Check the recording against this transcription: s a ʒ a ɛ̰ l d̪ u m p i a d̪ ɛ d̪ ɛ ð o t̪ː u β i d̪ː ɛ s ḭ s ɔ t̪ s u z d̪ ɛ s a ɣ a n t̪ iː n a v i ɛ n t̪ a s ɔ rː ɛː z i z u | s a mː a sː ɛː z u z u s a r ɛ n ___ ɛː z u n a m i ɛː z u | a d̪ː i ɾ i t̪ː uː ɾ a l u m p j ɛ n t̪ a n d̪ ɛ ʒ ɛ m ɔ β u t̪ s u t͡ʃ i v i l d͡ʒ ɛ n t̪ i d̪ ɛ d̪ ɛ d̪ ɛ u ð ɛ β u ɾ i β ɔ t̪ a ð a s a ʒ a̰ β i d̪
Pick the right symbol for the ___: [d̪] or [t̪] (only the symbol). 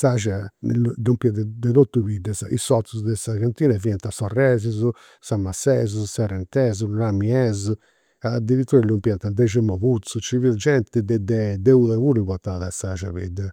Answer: t̪